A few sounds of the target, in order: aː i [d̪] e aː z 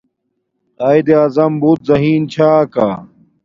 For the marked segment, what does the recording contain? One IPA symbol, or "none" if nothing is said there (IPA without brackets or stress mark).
d̪